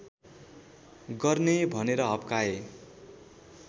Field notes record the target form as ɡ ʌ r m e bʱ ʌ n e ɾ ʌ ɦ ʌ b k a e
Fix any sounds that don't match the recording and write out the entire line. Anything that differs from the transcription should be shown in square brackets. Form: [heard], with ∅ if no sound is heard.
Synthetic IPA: ɡ ʌ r [n] e bʱ ʌ n e ɾ ʌ ɦ ʌ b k a e